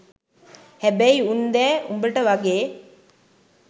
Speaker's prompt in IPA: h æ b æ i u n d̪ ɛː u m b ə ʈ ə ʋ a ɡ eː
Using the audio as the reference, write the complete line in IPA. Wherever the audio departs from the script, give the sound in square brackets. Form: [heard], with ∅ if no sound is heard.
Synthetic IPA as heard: h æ b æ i u n d̪ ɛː u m b ə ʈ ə ʋ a ɡ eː